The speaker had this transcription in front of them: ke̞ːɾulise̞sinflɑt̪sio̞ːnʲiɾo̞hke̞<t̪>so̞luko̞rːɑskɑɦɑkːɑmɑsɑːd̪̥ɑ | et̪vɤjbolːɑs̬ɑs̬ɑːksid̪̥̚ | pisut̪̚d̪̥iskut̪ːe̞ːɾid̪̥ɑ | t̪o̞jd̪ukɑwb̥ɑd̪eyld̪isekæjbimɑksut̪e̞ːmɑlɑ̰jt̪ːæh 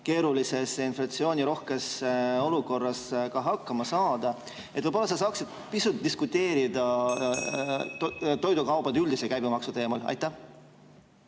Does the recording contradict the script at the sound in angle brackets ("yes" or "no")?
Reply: yes